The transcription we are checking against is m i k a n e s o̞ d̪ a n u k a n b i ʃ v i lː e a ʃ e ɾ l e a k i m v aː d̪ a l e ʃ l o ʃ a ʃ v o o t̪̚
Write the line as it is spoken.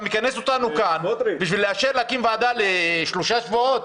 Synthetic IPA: m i k a n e s o̞ t̪ a n u k a n b i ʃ v i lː e a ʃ e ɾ l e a k i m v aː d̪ a l e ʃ l o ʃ a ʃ v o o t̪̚